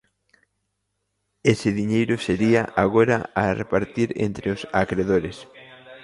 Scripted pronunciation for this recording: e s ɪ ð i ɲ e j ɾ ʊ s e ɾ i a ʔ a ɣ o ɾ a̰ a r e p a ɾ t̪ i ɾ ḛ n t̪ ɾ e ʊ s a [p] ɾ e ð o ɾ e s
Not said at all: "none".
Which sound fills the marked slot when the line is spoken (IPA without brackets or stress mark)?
k